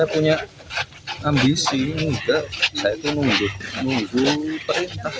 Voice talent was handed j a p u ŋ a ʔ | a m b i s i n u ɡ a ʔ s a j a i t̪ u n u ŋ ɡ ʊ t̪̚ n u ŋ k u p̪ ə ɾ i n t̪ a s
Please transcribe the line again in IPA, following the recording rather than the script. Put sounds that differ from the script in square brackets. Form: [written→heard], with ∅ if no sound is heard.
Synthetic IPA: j a p u [ŋ→ɲ] a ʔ | a m b i s i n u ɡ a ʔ s a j a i t̪ u n u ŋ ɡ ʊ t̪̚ n u ŋ [k→ɡ] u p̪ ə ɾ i n t̪ a [s→h]